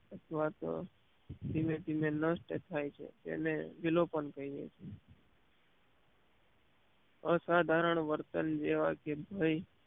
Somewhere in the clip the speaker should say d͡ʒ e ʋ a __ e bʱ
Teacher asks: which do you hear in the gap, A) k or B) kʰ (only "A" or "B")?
A